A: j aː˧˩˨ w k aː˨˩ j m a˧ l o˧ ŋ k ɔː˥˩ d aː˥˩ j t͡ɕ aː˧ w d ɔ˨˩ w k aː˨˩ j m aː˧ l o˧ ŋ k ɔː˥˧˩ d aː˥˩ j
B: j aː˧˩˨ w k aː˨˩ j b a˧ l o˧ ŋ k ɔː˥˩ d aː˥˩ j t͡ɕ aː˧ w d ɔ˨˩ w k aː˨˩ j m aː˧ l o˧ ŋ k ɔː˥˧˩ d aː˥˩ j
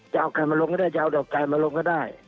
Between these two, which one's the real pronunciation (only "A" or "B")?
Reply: A